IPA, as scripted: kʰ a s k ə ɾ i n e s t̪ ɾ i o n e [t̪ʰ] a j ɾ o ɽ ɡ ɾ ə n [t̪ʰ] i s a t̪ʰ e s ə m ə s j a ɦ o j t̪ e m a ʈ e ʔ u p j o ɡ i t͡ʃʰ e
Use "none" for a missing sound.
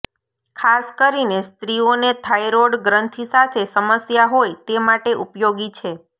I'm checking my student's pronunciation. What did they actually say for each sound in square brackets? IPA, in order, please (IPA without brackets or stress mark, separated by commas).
t̪ʰ, t̪ʰ